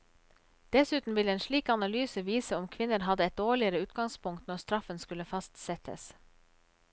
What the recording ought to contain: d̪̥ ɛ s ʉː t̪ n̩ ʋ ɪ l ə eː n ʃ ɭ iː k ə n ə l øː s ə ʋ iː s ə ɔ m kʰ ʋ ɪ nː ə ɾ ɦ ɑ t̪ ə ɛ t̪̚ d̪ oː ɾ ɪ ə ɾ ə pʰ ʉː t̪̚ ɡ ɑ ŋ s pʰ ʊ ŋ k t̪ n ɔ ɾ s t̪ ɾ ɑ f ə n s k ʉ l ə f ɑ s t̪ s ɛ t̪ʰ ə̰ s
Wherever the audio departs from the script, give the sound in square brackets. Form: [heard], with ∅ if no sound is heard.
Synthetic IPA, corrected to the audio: d̪̥ ɛ s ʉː t̪ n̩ ʋ ɪ l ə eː n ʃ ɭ iː k [ɑ] n [ɑ] l [yː] s ə ʋ iː s ə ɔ m kʰ ʋ ɪ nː ə ɾ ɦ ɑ [d̪] ə ɛ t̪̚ d̪ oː [ɭ] ɪ ə ɾ ə [∅] ʉː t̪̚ ɡ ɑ ŋ s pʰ ʊ ŋ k t̪ n ɔ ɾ s t̪ ɾ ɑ f ə n s k ʉ l ə f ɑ s t̪ s ɛ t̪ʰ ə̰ s